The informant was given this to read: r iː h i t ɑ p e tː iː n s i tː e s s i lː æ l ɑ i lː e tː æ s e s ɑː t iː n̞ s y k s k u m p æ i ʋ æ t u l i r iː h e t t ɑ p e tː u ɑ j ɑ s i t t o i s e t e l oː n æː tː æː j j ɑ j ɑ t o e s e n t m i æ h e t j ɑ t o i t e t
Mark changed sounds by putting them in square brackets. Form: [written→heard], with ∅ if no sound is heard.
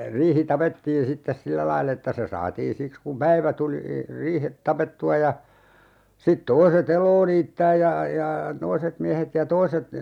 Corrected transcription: r iː h i t ɑ p e tː iː n s i tː e s s i lː æ l ɑ i lː e tː æ s e s ɑː t iː n̞ s [y→i] k s k u m p æ i ʋ æ t u l i r iː h e t t ɑ p e tː u ɑ j ɑ s i t t o i s e t e l oː n [æː→iː] tː æː j j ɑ j ɑ t o [e→i] s e [n→∅] t m i æ h e t j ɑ t o i [t→s] e t